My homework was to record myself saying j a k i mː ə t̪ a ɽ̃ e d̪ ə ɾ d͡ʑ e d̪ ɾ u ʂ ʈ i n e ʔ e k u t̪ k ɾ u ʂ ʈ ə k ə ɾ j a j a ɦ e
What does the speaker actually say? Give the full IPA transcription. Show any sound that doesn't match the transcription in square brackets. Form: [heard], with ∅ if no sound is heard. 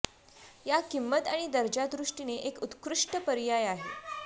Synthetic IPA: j a k i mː ə t̪ a ɽ̃ [i] d̪ ə ɾ d͡ʑ [a] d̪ ɾ u ʂ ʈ i n e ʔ e k u t̪ k ɾ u ʂ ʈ ə [p] ə ɾ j a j a ɦ e